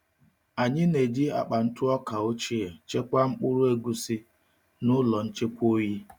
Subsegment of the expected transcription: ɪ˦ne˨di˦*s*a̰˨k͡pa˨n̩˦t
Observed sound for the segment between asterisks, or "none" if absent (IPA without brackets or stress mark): none